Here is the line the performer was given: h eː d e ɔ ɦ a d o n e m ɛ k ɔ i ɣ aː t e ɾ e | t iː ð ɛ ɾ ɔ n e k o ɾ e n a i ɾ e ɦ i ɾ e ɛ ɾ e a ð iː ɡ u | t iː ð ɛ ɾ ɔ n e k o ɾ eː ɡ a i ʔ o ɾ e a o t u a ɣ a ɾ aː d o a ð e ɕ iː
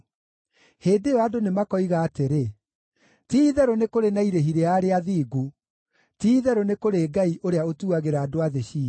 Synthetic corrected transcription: h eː d e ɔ a d o n e m a k ɔ i ɣ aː t e ɾ e | t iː ð ɛ ɾ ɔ n e k o ɾ e n a i ɾ e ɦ i ɾ e a ɾ e a ð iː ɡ u | t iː ð ɛ ɾ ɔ n e k o ɾ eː ɡ a i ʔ o ɾ e a o t u a ɣ e ɾ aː d o a ð e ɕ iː